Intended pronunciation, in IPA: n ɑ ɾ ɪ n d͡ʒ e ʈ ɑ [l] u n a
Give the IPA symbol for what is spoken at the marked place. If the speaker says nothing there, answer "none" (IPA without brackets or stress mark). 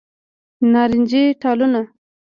l